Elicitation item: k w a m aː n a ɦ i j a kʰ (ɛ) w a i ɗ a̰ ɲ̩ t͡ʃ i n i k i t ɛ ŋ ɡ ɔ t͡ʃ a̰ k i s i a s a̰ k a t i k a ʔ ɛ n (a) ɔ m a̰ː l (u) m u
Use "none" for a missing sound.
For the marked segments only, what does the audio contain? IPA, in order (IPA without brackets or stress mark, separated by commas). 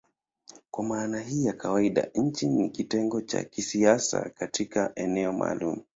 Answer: a, ɛ, u